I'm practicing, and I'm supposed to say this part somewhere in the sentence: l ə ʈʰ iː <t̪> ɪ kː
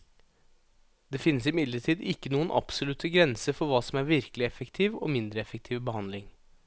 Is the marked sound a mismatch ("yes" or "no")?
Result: yes